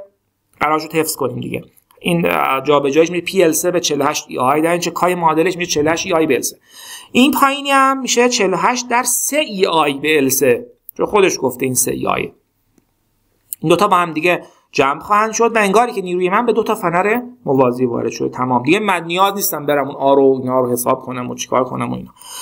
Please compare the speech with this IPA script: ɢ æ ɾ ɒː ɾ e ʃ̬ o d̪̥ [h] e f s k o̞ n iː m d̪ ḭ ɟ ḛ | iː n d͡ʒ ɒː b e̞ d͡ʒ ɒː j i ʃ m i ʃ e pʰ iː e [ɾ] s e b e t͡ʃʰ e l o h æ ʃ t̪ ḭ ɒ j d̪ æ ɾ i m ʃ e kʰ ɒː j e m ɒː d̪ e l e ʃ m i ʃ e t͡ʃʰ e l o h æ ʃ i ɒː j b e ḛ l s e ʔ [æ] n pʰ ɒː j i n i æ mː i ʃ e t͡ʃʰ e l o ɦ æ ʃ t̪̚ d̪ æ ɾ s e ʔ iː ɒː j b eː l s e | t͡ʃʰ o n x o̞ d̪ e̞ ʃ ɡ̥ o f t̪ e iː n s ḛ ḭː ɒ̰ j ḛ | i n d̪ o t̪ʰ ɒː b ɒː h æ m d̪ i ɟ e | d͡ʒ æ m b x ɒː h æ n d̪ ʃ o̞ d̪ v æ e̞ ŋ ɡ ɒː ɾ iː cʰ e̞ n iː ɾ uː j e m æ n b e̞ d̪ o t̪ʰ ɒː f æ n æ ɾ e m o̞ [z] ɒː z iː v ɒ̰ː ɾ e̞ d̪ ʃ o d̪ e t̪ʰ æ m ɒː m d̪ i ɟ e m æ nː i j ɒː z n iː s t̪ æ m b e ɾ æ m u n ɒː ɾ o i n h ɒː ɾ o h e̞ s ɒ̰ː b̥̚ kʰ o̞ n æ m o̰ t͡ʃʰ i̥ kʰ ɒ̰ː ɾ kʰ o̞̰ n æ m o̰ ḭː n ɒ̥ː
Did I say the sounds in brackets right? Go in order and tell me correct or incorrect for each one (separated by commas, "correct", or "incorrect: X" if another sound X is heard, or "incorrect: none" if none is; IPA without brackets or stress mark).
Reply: correct, incorrect: l, incorrect: i, incorrect: v